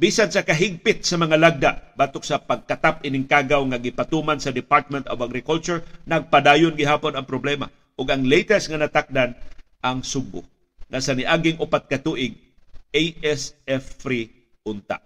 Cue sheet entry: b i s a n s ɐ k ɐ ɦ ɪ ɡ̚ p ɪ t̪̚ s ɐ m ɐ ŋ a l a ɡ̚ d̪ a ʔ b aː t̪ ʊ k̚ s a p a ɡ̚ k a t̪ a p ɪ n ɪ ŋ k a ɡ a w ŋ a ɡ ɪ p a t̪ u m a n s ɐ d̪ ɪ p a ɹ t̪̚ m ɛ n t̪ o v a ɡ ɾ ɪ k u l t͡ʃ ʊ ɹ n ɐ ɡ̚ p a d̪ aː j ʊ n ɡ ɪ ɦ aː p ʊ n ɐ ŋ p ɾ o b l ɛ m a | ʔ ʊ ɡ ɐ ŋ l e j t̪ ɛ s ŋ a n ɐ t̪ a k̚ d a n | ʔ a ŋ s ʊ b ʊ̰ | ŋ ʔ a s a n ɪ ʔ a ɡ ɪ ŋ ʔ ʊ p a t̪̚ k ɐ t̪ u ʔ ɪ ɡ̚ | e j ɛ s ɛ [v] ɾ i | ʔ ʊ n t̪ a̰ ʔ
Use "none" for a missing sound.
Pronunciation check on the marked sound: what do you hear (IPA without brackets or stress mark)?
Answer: f